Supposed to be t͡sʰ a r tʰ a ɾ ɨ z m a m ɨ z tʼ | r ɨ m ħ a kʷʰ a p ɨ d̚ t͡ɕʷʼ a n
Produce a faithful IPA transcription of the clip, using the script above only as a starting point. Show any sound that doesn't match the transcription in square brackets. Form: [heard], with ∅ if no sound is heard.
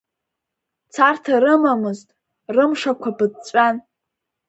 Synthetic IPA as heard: t͡sʰ a r tʰ a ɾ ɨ [∅] m a m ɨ z tʼ | r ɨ m [ʂ] a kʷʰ a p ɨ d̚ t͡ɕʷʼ a n